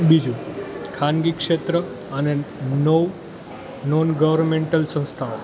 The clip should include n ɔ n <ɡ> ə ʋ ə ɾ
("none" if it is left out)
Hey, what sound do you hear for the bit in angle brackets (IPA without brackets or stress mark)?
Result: ɡ